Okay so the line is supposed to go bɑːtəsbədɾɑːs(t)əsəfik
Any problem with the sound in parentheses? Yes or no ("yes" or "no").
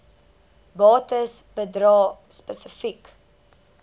yes